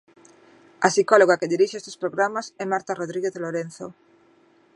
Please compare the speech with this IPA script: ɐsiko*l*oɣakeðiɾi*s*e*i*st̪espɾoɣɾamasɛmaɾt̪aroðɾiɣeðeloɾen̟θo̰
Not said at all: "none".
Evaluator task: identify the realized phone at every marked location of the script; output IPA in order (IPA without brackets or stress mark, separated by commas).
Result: l, ʃ, e